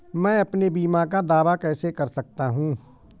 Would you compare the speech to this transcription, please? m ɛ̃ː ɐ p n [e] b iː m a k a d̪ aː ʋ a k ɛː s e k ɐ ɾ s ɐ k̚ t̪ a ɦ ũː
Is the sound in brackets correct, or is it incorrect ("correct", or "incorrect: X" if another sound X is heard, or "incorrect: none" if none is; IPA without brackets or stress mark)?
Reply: correct